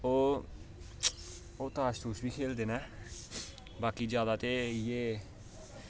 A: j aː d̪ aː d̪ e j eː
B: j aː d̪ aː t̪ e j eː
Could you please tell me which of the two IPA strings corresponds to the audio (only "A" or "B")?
B